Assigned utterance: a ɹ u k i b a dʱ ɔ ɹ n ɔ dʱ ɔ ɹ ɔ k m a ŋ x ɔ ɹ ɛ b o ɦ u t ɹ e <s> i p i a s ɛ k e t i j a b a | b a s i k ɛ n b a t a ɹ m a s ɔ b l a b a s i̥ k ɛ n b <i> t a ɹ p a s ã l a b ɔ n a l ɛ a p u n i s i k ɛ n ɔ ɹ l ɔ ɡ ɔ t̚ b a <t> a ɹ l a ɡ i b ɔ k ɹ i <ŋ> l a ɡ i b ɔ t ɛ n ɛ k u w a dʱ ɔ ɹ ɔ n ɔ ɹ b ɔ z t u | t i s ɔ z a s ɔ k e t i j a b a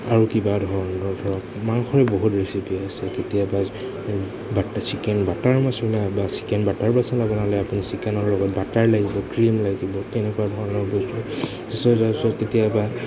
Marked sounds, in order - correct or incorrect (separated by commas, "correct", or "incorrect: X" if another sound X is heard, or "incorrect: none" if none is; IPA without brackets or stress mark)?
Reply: correct, incorrect: a, correct, incorrect: m